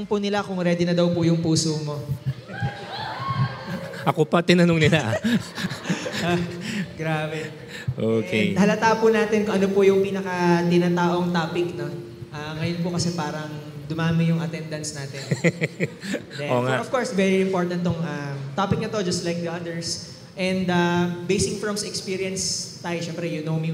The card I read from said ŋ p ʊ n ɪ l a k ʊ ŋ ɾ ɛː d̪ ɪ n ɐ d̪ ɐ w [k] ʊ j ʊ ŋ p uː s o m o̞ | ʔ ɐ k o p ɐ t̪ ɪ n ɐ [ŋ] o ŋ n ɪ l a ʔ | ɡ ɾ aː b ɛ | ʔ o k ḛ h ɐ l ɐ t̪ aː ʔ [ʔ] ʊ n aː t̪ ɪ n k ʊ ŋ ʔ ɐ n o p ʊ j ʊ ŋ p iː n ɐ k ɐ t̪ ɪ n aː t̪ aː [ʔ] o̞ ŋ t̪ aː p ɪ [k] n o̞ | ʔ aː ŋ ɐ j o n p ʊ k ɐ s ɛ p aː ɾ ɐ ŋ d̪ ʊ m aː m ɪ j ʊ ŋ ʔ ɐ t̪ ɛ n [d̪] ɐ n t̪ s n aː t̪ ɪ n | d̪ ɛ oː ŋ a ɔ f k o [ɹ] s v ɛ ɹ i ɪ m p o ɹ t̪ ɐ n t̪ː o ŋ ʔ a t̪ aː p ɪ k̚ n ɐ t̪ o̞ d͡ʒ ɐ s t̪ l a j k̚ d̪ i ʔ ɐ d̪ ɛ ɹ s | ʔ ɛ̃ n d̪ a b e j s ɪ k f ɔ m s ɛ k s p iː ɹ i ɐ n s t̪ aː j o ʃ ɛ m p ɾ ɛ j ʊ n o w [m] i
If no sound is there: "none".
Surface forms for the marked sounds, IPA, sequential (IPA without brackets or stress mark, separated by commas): p, n, p, ʔ, k, d̪, ɹ, m